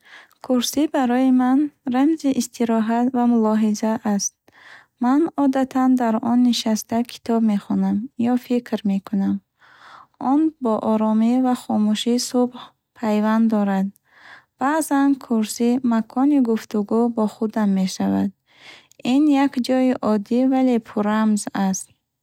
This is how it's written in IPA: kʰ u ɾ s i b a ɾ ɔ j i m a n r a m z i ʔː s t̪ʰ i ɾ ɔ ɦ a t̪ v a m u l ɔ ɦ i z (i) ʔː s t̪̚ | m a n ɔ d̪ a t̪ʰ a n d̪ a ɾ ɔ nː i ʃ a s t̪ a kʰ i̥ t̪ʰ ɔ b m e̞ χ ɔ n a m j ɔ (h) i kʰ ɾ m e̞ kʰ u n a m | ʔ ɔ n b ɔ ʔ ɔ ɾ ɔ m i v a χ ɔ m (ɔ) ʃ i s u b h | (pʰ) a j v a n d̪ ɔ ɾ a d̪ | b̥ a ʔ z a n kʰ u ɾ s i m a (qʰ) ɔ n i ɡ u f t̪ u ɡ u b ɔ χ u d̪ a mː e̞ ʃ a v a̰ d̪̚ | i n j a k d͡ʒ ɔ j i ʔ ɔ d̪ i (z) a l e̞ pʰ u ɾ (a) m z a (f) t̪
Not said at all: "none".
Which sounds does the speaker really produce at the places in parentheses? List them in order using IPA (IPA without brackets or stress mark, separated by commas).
a, f, u, pʰ, kʰ, v, a, s